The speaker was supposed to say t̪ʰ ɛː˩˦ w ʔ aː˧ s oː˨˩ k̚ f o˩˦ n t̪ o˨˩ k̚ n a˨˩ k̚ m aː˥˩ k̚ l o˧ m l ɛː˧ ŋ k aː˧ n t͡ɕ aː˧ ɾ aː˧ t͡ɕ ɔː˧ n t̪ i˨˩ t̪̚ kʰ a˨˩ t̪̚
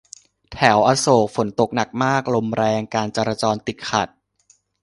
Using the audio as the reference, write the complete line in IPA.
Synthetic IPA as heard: t̪ʰ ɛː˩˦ w ʔ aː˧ s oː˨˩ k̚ f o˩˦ n t̪ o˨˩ k̚ n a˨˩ k̚ m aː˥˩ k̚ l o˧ m ɾ ɛː˧ ŋ k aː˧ n t͡ɕ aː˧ ɾ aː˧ t͡ɕ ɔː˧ n t̪ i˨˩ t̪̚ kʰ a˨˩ t̪̚